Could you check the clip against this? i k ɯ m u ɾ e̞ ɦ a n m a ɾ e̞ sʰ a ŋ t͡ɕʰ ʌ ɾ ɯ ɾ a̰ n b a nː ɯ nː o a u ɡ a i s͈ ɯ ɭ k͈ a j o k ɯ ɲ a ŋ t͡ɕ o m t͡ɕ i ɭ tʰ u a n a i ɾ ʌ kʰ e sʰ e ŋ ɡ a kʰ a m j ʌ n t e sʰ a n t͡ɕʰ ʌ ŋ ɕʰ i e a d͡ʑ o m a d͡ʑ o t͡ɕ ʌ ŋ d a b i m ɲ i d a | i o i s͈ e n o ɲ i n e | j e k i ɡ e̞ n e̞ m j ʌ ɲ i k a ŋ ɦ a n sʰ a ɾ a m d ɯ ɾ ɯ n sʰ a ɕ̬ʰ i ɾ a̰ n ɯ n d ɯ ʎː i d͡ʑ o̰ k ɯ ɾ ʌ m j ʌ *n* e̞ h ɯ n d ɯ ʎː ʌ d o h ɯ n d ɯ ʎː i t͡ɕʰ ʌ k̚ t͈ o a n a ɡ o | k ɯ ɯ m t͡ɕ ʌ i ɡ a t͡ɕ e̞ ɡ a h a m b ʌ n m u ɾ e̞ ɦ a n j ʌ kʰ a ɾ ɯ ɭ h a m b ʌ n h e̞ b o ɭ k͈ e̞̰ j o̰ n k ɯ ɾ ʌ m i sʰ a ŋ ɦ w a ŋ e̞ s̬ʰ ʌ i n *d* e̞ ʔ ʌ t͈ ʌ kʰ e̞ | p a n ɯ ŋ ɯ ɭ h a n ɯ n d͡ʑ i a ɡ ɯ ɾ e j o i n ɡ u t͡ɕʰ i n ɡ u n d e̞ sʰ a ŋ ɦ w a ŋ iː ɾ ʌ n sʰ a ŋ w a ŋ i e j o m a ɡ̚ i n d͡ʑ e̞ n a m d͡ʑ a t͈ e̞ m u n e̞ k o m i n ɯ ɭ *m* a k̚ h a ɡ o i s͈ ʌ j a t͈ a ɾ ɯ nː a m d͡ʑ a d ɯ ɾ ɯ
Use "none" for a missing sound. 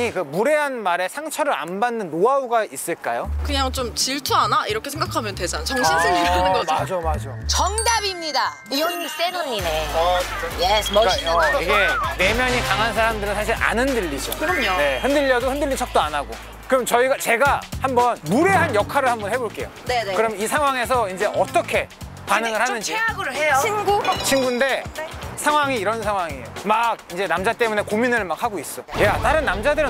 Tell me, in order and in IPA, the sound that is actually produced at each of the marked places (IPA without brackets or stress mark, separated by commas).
n, d͡ʑ, m